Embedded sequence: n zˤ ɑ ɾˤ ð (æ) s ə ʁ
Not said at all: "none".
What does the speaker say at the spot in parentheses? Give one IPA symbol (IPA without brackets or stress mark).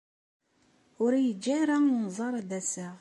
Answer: æ